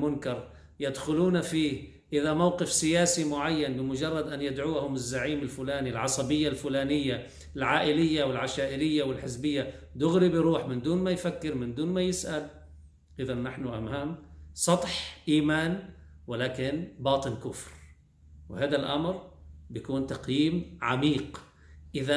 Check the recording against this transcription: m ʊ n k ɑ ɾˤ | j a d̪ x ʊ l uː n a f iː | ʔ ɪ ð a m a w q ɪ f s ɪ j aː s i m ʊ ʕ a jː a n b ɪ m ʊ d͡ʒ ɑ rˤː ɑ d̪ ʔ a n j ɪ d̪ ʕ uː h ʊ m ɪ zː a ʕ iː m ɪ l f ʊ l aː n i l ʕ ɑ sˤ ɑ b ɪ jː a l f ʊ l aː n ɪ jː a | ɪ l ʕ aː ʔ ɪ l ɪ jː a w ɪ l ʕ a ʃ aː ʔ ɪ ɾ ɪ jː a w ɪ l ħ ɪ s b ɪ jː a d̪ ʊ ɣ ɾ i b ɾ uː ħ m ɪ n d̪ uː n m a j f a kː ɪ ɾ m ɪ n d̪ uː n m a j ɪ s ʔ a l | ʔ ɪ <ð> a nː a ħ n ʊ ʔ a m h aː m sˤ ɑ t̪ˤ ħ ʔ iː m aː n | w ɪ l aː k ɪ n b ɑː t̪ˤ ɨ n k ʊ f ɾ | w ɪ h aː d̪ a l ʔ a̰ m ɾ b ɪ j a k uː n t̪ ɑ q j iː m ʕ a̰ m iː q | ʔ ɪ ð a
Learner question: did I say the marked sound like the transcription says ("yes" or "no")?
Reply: yes